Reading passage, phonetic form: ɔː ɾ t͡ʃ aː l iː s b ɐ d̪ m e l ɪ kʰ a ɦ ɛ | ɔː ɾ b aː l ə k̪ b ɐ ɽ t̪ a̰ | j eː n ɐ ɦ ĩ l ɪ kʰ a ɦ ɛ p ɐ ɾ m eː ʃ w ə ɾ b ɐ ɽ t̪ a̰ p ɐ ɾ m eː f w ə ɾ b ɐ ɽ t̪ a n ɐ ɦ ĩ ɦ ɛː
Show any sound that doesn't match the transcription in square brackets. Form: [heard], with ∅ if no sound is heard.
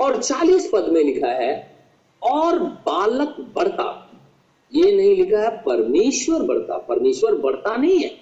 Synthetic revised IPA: ɔː ɾ t͡ʃ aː l iː s [p] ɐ d̪ m [ẽ] l ɪ kʰ a ɦ ɛ | ɔː ɾ b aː l ə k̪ b ɐ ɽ t̪ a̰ | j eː n ɐ ɦ ĩ l ɪ kʰ a ɦ ɛ p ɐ ɾ m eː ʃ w ə ɾ b ɐ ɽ t̪ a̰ p ɐ ɾ m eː [ʃ] w ə ɾ b ɐ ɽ t̪ a n ɐ ɦ ĩ ɦ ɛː